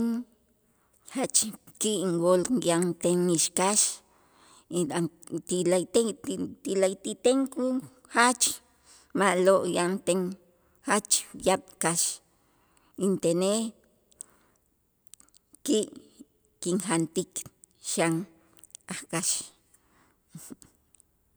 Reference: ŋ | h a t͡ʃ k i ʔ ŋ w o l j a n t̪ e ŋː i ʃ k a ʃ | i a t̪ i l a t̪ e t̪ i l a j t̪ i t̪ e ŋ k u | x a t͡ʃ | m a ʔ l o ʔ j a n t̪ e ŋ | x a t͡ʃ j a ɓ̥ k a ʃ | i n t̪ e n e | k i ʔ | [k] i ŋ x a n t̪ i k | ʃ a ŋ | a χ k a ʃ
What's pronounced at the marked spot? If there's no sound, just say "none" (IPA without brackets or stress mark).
k